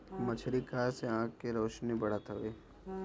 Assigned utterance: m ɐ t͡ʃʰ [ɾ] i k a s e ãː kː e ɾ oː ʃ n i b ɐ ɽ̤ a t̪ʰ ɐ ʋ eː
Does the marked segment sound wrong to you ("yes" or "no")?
no